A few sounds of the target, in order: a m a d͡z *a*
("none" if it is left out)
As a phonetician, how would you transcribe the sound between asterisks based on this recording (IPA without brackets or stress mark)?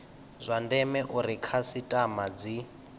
i